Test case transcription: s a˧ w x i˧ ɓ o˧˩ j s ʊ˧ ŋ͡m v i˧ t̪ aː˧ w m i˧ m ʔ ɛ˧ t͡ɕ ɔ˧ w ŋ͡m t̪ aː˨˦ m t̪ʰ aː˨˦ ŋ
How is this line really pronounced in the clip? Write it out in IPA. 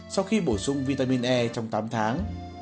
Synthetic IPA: s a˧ w x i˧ ɓ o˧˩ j s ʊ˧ ŋ͡m v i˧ t̪ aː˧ m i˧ n ʔ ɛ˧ t͡ɕ ɔ˧ w ŋ͡m t̪ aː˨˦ m t̪ʰ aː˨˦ ŋ